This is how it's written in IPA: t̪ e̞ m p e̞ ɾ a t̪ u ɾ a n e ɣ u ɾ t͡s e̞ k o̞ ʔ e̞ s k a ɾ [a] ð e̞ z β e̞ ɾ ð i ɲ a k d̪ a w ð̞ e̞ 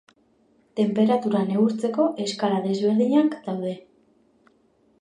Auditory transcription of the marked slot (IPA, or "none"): a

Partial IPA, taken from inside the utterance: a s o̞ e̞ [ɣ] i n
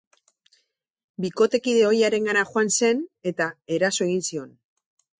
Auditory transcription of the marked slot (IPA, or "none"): ɣ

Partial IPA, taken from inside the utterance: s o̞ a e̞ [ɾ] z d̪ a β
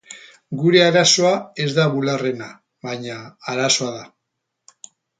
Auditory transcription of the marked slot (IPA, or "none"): none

